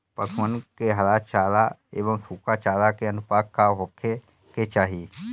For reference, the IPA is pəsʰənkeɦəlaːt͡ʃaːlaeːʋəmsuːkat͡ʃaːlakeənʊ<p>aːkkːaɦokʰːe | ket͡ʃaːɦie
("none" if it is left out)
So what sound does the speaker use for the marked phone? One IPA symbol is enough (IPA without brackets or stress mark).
p